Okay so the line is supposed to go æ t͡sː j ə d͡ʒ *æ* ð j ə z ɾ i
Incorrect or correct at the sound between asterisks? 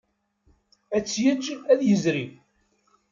correct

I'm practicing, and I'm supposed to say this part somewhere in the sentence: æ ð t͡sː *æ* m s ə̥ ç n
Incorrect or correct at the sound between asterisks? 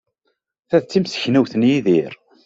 incorrect: i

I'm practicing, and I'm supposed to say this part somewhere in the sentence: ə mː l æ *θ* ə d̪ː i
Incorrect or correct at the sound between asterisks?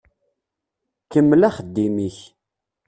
incorrect: χ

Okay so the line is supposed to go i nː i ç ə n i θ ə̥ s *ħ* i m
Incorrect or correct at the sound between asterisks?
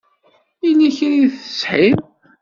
correct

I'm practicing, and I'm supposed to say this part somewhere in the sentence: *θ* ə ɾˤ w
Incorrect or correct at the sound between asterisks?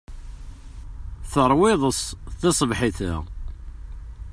correct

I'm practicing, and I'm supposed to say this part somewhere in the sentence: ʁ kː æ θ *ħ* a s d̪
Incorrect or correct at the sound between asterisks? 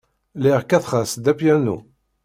incorrect: χ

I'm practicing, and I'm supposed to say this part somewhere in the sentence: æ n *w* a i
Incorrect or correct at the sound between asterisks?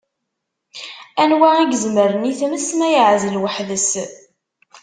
correct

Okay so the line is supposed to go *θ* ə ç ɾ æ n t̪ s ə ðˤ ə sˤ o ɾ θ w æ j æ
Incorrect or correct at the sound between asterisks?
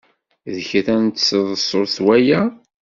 incorrect: ð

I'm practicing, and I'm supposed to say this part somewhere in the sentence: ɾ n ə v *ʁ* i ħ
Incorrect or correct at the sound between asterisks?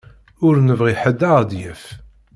correct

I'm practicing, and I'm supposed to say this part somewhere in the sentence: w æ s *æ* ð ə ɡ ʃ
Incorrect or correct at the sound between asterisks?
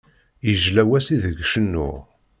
incorrect: i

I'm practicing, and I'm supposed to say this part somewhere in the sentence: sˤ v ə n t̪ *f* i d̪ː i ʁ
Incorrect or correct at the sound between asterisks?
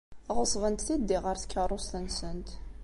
incorrect: θ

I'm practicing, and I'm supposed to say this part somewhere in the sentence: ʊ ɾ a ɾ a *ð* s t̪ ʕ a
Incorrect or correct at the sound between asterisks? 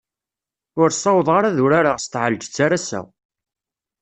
incorrect: ʁ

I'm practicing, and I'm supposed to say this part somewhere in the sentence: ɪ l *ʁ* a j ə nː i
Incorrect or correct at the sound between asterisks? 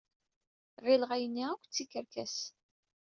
correct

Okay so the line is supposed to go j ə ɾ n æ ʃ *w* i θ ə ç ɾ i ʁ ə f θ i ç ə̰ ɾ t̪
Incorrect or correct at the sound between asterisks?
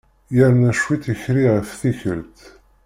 correct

